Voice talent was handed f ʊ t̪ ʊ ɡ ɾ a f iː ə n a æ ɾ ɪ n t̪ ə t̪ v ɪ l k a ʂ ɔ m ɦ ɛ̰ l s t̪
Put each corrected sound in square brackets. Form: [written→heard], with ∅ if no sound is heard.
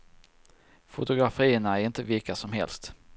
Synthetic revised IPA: f ʊ t̪ ʊ ɡ ɾ a f iː ə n a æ ɾ ɪ n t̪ ə [t̪→∅] v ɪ l k a [ʂ→s] ɔ m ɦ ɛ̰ l s t̪